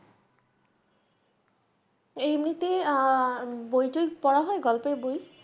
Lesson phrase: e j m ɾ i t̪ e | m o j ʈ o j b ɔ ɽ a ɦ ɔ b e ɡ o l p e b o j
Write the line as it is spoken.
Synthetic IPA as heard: e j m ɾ i t̪ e | b o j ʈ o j p ɔ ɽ a ɦ ɔ e ɡ ɔ l p e b o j